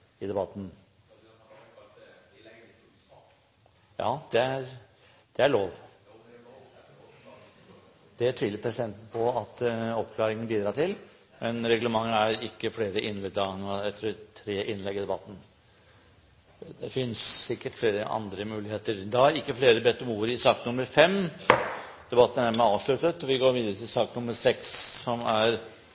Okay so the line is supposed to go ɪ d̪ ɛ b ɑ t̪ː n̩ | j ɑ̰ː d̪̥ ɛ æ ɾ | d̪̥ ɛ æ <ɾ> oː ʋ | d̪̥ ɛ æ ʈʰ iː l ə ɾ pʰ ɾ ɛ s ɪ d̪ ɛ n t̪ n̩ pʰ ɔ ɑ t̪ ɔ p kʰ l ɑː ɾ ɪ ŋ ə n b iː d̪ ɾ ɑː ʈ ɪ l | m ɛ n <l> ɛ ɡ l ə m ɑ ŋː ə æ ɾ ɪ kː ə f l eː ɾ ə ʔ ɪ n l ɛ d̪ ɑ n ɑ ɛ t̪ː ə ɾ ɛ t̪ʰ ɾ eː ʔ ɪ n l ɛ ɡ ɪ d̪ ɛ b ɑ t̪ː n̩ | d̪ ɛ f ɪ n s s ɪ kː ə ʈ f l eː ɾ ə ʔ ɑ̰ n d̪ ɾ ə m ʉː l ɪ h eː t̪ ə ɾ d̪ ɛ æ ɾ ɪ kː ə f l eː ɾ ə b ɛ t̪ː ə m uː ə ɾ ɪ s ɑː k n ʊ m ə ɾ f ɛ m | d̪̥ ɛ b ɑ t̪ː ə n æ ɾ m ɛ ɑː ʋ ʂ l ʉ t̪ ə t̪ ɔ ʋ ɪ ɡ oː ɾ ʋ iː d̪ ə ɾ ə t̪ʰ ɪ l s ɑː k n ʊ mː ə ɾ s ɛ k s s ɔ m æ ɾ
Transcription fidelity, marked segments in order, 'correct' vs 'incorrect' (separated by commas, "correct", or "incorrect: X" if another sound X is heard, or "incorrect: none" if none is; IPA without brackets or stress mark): incorrect: ɭ, incorrect: ɾ